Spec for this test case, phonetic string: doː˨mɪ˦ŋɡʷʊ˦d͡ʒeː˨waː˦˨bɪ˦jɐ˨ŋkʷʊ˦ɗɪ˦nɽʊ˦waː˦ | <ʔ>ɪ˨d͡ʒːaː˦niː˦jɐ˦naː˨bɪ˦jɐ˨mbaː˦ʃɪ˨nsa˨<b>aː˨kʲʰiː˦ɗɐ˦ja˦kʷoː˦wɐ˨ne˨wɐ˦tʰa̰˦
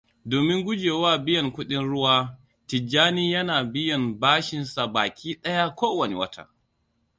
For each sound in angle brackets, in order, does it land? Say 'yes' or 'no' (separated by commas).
no, yes